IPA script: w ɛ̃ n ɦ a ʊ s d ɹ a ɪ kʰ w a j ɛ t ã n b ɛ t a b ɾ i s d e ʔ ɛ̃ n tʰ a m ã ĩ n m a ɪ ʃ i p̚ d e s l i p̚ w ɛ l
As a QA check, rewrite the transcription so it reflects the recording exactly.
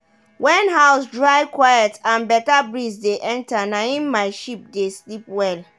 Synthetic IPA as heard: w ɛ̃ n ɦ a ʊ s d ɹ a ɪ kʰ w a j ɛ t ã n b ɛ t a b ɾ i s d e ʔ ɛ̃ n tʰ a n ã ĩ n m a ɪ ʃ i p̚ d e s l i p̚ w ɛ l